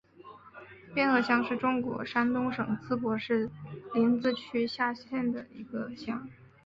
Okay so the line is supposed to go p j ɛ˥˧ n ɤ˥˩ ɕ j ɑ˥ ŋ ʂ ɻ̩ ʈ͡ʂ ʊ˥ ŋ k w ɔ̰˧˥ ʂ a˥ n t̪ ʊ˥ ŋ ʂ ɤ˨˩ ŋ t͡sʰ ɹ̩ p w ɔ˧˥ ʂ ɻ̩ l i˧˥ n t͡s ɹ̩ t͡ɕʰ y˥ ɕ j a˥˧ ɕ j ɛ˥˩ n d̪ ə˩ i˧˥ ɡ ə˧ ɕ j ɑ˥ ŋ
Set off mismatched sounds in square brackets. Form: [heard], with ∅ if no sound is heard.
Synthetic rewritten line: p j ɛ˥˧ n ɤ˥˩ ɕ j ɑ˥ ŋ ʂ ɻ̩ ʈ͡ʂ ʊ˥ ŋ k w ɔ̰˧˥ ʂ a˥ n t̪ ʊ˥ ŋ ʂ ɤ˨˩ ŋ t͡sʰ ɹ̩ p w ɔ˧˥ ʂ ɻ̩ l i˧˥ n t͡s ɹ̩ t͡ɕʰ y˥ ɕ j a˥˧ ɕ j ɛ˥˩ n d̪ ə˩ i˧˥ ɡ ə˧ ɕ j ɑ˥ ŋ